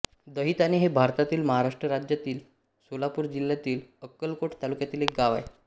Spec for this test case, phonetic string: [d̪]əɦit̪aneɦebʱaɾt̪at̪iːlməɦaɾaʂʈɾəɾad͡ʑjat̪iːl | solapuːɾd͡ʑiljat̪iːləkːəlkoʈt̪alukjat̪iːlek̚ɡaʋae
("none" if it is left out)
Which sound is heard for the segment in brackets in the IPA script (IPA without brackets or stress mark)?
d̪